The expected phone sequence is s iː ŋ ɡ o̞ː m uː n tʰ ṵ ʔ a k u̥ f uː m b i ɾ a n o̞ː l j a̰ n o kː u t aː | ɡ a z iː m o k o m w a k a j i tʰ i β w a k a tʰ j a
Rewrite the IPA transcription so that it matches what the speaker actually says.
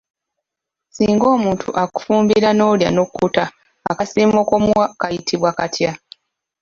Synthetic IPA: s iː ŋ ɡ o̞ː m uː n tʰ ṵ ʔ a k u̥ f uː m b i ɾ a n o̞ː l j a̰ n o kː u t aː | k a s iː m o k o m w a k a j i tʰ i β w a k a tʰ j a

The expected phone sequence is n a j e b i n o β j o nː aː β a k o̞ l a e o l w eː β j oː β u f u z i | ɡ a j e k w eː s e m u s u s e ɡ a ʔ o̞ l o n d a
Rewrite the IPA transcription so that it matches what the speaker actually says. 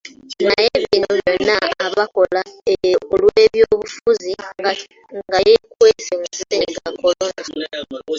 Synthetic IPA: n a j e β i n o β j o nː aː β a k o̞ l a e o l w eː β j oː β u f u z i | ɡ a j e k w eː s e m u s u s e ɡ a k o̞ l o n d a

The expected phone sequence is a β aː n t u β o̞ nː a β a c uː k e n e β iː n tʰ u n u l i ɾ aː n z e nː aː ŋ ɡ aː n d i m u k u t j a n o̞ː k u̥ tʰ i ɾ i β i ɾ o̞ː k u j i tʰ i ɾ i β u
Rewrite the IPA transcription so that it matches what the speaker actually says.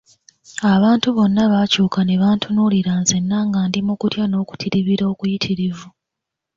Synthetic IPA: a β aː n t u β o̞ nː a β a c uː k a n e β aː n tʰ u n u l i ɾ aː n z e nː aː ŋ ɡ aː n d i m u k u t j a n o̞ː k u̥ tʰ i ɾ i β i ɾ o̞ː k u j i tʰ i ɾ i v u

